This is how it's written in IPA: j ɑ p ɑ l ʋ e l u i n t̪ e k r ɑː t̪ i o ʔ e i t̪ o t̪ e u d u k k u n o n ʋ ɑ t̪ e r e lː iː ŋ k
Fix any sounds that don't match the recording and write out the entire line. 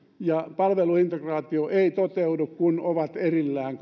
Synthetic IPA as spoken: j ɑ p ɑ l ʋ e l u i n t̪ e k r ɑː t̪ i o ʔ e i t̪ o t̪ e u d u k k u n o ʋ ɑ t̪ e r i lː æː ŋ k